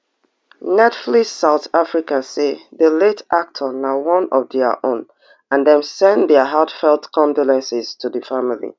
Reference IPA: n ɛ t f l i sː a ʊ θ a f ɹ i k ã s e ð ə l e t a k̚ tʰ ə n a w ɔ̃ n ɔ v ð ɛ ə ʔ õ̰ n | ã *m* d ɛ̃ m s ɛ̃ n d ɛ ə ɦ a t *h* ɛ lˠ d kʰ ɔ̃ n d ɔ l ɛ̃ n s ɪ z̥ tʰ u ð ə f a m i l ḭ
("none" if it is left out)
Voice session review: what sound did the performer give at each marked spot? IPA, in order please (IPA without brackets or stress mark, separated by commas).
n, f